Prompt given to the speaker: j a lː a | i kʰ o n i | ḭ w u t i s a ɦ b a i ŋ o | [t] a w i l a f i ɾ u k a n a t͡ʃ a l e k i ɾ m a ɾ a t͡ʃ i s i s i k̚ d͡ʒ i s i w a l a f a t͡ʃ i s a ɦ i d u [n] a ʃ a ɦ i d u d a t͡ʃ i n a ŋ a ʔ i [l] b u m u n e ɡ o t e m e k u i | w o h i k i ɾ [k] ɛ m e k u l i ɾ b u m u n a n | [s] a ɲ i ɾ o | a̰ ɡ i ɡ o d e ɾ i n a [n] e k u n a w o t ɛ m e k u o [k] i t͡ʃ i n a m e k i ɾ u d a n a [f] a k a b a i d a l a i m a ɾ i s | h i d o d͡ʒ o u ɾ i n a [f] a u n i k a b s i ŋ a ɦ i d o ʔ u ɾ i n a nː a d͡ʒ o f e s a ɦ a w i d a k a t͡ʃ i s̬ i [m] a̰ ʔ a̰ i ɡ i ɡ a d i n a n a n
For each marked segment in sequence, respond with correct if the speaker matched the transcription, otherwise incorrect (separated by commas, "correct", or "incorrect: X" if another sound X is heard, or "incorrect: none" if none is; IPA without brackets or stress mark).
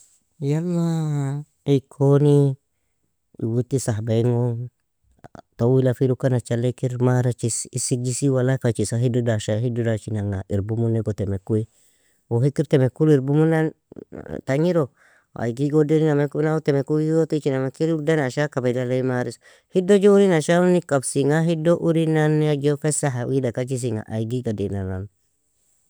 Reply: correct, incorrect: d, incorrect: ɾ, incorrect: t, incorrect: t, incorrect: m, incorrect: t, incorrect: ʃ, incorrect: ʃ, incorrect: ŋ